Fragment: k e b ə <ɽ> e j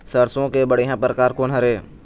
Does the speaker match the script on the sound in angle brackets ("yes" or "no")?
yes